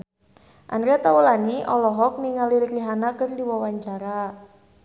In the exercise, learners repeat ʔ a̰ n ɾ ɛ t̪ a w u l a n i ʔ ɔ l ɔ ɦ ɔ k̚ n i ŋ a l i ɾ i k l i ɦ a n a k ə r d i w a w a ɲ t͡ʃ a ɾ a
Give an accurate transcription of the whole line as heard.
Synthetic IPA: ʔ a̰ n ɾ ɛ t̪ a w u l a n i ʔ ɔ l ɔ ɦ ɔ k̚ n i ŋ a l i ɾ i k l i ɦ a n a k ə r d i w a w a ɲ t͡ʃ a ɾ a